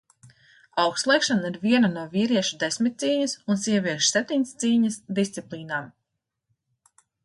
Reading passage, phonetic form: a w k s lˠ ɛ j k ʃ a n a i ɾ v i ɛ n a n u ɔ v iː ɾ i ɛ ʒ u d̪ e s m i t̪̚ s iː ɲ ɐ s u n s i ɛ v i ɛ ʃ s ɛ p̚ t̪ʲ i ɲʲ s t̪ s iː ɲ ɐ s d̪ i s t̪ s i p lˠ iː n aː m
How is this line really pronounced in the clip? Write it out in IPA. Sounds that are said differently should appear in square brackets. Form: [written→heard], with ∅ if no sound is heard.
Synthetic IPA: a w k s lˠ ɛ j k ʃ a n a i ɾ v i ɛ n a n u ɔ v iː ɾ i ɛ [ʒ→ʃ] u d̪ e s m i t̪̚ s iː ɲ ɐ s u n s i ɛ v i ɛ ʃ s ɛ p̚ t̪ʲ i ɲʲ s t̪ s iː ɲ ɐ s d̪ i s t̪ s i p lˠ iː n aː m

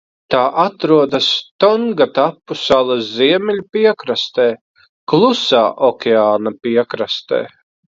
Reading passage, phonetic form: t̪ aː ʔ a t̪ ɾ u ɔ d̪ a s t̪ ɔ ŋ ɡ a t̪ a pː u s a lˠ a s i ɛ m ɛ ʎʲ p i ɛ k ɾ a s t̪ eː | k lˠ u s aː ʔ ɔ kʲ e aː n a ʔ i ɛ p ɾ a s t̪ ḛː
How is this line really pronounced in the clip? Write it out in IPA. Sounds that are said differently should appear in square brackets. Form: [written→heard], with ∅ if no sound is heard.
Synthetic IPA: t̪ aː ʔ a t̪ ɾ u ɔ d̪ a s t̪ ɔ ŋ ɡ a t̪ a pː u s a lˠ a [s→z] i ɛ m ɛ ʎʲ p i ɛ k ɾ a s t̪ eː | k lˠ u s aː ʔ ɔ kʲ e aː n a [ʔ→p] i ɛ [p→k] ɾ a s t̪ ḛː

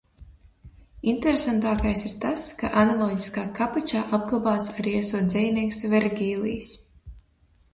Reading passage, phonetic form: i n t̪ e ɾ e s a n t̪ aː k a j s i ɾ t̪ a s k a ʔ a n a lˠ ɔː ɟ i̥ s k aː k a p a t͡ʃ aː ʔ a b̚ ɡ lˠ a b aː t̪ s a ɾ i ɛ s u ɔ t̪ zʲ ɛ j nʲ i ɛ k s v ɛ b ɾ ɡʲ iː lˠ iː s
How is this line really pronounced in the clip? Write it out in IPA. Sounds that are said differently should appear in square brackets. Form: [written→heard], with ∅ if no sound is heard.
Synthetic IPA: i n t̪ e ɾ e s a n t̪ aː k a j s i ɾ t̪ a s k a ʔ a n a lˠ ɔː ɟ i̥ s k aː k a p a t͡ʃ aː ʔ a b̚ ɡ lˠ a b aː t̪ s a ɾ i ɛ s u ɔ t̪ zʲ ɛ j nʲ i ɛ k s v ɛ [b→∅] ɾ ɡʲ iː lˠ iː s

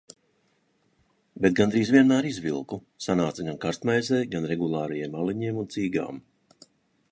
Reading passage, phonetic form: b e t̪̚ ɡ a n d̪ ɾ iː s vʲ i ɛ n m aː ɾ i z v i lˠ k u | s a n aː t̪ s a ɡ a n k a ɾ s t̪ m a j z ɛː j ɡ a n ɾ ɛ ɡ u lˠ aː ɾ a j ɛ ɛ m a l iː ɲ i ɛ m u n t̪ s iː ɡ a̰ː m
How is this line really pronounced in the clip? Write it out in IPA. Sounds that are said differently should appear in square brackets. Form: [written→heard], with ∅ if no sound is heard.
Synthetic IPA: b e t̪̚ ɡ a n d̪ ɾ iː [s→z] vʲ i ɛ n m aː ɾ i z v i lˠ k u | s a n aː t̪ s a ɡ a n k a ɾ s t̪ m a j z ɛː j ɡ a n ɾ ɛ ɡ u lˠ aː ɾ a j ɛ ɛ m a l [iː→i] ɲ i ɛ m u n t̪ s iː ɡ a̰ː m

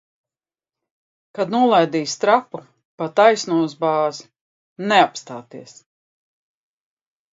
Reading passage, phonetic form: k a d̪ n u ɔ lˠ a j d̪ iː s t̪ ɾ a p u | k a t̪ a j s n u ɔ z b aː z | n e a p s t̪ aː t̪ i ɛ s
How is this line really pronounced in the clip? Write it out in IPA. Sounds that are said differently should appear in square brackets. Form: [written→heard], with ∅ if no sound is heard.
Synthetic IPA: k a d̪ n u ɔ lˠ a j d̪ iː s t̪ ɾ a p u | [k→p] a t̪ a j s n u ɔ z b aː z | n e a p s t̪ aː t̪ i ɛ s

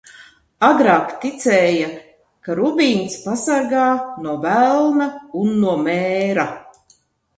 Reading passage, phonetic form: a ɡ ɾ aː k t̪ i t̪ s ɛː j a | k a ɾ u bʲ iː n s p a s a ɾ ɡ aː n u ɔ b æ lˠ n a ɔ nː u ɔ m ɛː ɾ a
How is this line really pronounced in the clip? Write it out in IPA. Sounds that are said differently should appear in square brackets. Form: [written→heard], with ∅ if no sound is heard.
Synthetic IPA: a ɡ ɾ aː k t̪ i t̪ s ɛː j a | k a ɾ u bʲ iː n s p a s a ɾ ɡ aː n u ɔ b æ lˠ n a [ɔ→u] nː u ɔ m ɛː ɾ a

